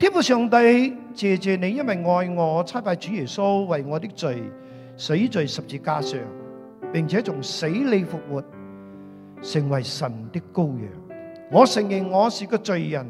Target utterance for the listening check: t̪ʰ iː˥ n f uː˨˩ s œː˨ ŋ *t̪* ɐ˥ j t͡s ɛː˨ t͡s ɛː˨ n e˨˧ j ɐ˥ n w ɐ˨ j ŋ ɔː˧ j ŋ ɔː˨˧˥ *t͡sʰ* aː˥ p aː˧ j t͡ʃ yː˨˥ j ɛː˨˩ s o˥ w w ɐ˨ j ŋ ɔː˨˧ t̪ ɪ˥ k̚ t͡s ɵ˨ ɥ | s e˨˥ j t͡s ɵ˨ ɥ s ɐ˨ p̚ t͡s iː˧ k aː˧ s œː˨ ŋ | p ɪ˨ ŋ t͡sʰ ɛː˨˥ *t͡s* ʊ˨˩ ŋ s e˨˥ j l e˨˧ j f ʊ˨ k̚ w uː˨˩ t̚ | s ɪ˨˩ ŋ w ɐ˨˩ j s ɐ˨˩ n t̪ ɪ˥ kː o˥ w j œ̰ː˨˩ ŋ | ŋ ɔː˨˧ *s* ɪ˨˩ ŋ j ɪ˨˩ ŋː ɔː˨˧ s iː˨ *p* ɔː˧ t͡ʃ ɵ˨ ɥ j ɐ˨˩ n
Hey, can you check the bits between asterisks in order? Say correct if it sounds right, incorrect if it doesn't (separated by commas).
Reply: correct, correct, correct, correct, incorrect